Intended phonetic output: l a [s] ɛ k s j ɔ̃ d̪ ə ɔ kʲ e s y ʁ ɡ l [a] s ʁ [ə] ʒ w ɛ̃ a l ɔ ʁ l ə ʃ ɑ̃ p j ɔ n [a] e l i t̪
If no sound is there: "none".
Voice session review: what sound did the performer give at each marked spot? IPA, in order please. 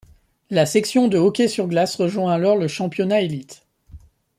s, a, ə, a

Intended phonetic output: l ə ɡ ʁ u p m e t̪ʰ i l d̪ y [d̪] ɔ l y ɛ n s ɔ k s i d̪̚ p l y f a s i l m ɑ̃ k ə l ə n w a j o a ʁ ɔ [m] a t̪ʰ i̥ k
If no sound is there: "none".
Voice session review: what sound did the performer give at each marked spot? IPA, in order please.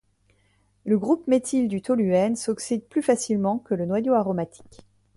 t̪, m

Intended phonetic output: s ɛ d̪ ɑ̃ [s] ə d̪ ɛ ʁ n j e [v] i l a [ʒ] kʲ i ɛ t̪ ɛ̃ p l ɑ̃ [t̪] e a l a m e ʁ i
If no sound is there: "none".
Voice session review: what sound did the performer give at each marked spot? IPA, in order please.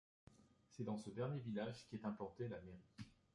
s, v, ʒ, t̪

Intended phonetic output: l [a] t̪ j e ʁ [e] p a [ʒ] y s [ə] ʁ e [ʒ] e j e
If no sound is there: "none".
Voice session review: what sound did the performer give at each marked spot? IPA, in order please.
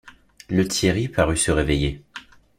ə, i, ʁ, ə, v

